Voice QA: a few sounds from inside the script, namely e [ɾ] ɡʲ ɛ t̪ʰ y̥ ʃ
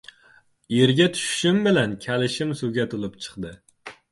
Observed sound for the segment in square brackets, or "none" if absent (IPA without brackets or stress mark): ɾ